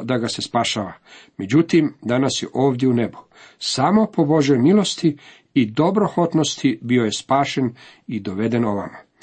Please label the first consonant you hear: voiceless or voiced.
voiced